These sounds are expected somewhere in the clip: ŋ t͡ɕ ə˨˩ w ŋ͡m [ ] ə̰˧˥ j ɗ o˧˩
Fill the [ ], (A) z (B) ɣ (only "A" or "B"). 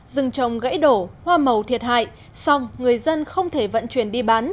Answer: B